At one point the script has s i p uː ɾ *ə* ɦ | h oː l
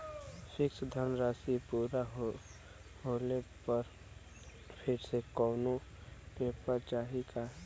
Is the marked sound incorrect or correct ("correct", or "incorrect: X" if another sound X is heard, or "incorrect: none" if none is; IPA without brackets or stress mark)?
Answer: incorrect: a